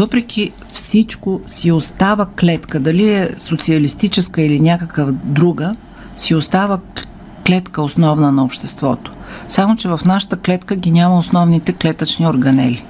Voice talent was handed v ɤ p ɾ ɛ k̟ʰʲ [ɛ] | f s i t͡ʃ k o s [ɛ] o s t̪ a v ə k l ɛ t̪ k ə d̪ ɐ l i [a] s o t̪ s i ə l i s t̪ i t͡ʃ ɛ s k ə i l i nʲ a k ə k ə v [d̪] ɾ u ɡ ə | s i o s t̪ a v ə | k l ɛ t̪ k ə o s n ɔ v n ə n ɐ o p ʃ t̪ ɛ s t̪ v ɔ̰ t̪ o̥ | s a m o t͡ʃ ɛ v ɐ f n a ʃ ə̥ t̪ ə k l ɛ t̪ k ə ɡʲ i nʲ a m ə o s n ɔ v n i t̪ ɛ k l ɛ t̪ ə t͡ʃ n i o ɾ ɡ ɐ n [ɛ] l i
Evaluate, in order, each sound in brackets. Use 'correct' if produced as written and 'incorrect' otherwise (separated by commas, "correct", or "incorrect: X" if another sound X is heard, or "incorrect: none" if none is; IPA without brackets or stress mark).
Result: incorrect: i, incorrect: i, incorrect: ɛ, correct, correct